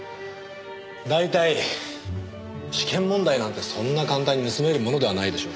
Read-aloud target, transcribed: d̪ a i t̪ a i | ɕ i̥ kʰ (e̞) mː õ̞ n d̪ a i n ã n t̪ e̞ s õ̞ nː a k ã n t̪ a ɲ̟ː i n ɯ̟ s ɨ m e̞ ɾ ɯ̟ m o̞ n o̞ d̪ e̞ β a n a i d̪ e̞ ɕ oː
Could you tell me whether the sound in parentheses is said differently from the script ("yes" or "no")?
yes